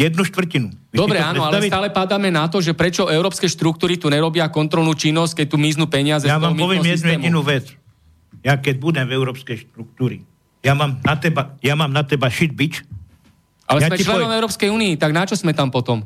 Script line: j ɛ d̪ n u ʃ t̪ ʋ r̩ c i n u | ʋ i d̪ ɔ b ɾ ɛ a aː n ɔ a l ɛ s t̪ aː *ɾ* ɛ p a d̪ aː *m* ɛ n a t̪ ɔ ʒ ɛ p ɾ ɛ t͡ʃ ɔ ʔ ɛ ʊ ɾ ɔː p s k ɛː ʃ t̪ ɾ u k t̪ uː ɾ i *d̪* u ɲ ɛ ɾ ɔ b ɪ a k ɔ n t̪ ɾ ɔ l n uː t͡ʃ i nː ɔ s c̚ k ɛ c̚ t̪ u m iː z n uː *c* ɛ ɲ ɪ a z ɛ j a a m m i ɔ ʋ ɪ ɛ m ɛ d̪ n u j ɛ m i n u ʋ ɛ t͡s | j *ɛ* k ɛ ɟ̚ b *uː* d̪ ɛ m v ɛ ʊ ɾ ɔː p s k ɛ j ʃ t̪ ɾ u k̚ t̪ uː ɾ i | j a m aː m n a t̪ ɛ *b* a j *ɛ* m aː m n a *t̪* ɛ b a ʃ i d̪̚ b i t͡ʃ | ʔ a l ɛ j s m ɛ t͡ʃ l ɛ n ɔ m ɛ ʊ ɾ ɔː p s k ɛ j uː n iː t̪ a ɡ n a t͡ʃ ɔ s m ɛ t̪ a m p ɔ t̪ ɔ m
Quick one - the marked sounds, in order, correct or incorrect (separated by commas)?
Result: incorrect, correct, incorrect, incorrect, incorrect, incorrect, correct, incorrect, correct